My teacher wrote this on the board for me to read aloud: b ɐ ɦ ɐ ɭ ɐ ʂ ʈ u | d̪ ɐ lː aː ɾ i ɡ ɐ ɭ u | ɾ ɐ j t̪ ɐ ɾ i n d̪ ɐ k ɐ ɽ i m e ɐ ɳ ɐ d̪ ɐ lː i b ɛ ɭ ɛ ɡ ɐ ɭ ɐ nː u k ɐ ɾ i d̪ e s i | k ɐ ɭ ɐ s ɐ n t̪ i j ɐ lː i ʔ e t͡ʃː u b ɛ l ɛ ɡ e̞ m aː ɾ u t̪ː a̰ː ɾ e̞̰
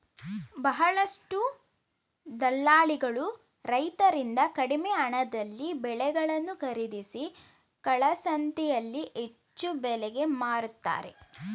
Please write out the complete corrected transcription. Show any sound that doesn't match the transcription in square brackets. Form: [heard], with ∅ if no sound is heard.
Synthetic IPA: b ɐ ɦ ɐ ɭ ɐ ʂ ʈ u | d̪ ɐ lː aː [ɭ] i ɡ ɐ ɭ u | ɾ ɐ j t̪ ɐ ɾ i n d̪ ɐ k ɐ ɽ i m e ɐ ɳ ɐ d̪ ɐ lː i b ɛ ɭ ɛ ɡ ɐ ɭ ɐ nː u k ɐ ɾ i d̪ [i] s i | k ɐ ɭ ɐ s ɐ n t̪ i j ɐ lː i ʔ e t͡ʃː u b ɛ l ɛ ɡ e̞ m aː ɾ u t̪ː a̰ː ɾ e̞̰